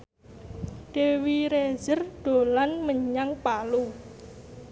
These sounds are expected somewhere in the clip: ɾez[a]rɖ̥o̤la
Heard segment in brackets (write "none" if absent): ə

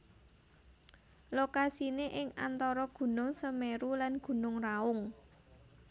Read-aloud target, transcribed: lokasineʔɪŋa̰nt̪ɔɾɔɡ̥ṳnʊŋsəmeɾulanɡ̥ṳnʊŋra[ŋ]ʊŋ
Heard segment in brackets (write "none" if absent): none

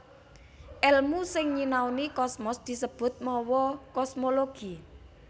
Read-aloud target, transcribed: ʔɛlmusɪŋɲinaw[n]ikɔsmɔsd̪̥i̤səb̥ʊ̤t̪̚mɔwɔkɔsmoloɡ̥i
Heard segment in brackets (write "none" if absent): n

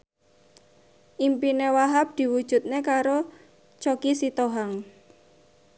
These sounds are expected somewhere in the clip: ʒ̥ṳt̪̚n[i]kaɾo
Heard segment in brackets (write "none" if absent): e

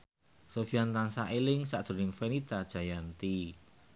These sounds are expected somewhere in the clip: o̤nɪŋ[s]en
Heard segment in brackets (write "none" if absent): f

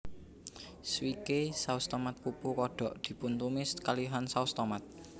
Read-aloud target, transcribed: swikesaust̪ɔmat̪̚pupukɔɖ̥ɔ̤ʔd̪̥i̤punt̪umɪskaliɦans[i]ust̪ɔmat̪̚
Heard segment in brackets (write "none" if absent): a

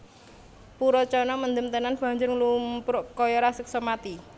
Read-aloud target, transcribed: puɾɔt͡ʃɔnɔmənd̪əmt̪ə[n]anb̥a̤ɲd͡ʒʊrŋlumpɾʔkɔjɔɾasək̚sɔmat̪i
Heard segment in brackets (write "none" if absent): n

